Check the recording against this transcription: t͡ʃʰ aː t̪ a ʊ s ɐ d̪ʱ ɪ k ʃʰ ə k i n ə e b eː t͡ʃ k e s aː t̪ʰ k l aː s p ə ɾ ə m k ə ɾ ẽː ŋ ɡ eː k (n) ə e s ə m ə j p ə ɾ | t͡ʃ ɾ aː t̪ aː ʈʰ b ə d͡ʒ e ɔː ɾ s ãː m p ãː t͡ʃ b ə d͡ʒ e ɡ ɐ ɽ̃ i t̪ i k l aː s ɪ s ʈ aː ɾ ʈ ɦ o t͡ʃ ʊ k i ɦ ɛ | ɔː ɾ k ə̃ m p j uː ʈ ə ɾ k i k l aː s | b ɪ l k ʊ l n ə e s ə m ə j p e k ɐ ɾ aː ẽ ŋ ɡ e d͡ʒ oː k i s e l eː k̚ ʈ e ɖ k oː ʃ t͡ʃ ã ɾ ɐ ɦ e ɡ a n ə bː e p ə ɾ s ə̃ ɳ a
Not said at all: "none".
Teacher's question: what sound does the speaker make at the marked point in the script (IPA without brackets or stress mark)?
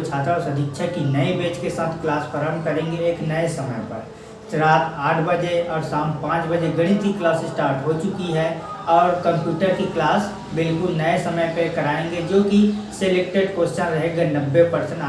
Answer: n